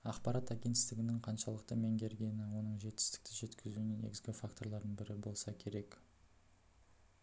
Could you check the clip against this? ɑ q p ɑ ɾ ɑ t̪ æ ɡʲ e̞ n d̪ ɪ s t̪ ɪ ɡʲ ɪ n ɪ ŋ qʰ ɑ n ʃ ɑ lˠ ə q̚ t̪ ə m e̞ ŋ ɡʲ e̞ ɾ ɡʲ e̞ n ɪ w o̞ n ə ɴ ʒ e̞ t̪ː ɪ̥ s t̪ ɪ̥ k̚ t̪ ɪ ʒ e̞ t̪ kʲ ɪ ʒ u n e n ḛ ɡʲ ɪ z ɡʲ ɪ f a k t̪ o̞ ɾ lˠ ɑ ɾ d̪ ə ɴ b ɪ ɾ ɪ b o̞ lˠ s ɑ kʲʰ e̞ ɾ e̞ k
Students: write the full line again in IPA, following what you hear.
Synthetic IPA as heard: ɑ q p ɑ ɾ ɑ t̪ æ ɡʲ e̞ n t̪ ɪ s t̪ ɪ ɡʲ ɪ n ɪ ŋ qʰ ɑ n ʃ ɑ lˠ ə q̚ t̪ ə m e̞ ŋ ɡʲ e̞ ɾ ɡʲ e̞ n ɪ w o̞ n ə ɴ ʒ e̞ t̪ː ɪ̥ s t̪ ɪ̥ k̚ t̪ ɪ ʒ e̞ t̪ kʲ ɪ z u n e n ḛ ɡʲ ɪ z ɡʲ ɪ f a k t̪ o̞ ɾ lˠ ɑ ɾ d̪ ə ɴ b ɪ ɾ ɪ b o̞ lˠ s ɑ kʲʰ e̞ ɾ e̞ k